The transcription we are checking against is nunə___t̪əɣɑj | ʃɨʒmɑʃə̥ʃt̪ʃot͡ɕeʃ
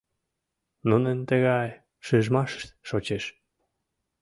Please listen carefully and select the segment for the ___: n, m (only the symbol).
n